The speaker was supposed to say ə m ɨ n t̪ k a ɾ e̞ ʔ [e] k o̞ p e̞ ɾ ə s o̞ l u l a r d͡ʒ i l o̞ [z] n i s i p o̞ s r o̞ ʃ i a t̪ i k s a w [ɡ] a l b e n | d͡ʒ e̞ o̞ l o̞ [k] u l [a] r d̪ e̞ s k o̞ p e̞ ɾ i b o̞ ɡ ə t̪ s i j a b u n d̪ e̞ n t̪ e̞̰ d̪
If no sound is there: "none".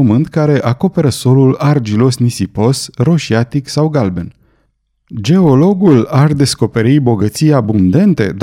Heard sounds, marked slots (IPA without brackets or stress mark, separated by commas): a, s, ɡ, ɡ, a